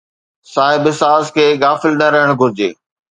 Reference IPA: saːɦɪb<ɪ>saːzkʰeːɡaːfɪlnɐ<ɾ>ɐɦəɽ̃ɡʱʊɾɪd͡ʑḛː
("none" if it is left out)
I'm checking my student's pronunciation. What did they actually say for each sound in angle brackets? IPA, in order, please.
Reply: ɪ, ɾ

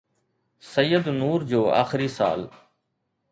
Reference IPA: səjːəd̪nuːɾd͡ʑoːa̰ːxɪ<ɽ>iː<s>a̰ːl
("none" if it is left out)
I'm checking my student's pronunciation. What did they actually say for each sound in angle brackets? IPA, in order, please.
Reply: ɾ, s

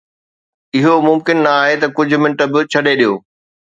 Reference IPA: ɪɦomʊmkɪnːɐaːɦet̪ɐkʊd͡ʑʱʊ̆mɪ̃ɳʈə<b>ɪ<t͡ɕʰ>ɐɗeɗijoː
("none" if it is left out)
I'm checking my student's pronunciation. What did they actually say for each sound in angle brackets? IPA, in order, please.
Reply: b, t͡ɕʰ

